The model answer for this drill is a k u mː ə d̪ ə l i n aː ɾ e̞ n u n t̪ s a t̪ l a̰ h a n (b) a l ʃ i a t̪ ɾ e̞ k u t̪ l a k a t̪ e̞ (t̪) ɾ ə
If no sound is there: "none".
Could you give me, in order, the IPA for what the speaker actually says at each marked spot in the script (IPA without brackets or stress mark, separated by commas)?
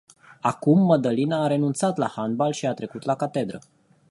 b, d̪